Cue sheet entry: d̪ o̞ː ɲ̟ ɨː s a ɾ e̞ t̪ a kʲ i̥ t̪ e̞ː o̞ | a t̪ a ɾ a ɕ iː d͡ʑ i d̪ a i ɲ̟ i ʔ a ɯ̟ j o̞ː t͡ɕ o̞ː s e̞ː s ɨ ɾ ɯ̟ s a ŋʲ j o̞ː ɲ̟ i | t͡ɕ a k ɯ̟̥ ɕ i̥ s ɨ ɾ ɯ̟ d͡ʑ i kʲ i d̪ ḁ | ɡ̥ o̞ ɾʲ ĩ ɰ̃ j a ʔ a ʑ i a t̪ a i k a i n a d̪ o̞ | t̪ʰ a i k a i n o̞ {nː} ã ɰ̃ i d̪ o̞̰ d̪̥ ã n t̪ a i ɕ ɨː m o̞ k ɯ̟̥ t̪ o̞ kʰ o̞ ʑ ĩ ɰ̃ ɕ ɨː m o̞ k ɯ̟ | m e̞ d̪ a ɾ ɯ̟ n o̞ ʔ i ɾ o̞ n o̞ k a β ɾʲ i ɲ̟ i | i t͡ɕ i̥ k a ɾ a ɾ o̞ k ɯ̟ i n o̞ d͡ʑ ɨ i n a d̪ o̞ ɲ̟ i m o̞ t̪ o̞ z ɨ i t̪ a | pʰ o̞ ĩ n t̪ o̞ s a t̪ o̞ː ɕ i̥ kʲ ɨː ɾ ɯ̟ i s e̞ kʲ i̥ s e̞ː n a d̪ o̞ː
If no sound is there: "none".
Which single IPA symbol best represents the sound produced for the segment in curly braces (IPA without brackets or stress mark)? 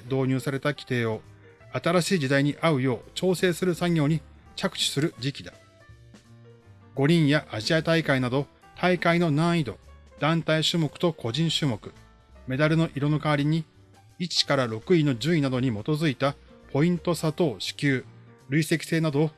n